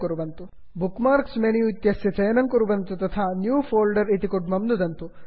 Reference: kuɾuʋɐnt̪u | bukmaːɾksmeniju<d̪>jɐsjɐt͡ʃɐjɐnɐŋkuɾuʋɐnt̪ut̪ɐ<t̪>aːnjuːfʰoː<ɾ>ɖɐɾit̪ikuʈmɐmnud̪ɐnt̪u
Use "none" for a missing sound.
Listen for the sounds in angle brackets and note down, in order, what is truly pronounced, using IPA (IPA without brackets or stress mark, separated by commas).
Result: t̪, t̪ʰ, l